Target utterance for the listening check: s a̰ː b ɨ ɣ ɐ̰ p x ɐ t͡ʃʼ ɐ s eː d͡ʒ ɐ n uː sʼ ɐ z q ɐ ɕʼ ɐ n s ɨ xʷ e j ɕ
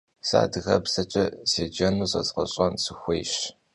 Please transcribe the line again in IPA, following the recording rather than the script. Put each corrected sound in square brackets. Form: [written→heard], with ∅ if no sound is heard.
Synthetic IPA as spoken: s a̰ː [b→d] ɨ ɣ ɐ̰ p [x→s] ɐ t͡ʃʼ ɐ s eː d͡ʒ ɐ n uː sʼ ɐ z q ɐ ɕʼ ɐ n s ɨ xʷ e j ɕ